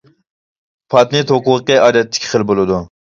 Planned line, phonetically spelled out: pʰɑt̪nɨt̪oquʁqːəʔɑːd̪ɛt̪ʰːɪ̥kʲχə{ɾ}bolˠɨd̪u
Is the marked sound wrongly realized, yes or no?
yes